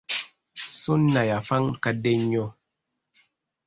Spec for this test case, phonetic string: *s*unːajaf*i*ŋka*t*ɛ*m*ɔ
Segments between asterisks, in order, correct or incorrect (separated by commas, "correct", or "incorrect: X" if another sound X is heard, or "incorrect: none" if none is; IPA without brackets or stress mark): correct, incorrect: a, incorrect: d, incorrect: ɲ